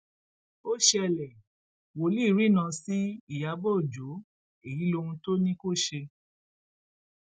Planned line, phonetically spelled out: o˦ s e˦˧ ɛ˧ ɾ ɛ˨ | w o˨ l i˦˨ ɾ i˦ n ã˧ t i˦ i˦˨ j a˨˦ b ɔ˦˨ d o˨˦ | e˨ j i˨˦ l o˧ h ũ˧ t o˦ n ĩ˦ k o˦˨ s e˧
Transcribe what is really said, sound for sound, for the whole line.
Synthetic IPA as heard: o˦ ʃ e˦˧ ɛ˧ l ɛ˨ | w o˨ l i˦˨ ɾ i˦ n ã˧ s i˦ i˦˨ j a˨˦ b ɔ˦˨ d͡ʒ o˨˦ | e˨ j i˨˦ l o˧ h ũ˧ t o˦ n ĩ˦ k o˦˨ ʃ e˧